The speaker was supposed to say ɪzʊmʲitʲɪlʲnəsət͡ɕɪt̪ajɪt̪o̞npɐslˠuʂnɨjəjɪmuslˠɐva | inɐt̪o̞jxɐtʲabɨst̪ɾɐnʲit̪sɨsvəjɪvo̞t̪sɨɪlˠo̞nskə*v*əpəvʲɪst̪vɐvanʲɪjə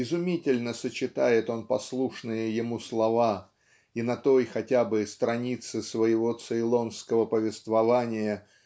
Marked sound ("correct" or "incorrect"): correct